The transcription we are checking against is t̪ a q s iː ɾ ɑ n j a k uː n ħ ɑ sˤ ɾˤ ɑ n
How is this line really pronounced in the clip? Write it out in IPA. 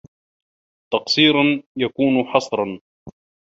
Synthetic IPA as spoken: t̪ ɑ q s iː ɾ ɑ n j a k uː n ħ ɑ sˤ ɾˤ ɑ n